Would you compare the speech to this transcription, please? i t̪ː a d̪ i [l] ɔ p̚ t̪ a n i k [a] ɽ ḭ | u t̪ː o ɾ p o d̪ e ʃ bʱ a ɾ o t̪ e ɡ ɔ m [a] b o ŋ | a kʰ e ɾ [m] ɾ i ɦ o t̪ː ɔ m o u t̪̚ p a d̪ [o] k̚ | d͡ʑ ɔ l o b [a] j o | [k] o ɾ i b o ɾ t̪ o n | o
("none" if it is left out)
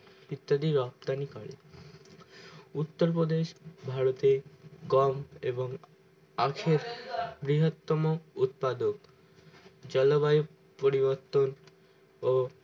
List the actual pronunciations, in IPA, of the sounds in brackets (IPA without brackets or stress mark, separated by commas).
ɾ, a, e, b, o, a, p